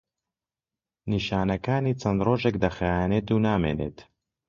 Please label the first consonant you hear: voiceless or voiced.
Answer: voiced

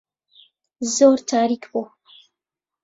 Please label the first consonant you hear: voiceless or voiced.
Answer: voiced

